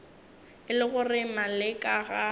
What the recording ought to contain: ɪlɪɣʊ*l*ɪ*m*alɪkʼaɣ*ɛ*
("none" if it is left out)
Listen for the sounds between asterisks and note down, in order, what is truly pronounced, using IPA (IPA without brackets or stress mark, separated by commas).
r, m, a